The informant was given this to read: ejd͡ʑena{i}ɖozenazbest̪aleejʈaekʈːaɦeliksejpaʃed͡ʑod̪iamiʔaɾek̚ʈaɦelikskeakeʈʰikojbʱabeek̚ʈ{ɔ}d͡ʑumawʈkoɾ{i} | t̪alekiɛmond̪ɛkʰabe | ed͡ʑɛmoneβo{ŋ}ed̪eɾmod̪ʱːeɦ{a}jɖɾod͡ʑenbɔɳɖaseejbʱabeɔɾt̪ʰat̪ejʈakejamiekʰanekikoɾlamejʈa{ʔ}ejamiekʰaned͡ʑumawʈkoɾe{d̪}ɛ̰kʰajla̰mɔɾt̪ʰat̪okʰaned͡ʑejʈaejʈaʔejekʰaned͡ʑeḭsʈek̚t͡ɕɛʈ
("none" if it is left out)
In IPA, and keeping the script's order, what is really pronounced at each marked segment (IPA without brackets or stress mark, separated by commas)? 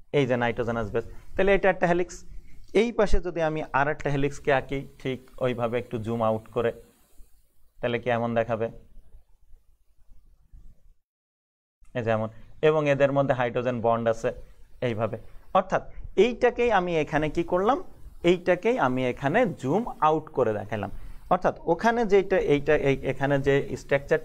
j, u, e, ŋ, a, k, d̪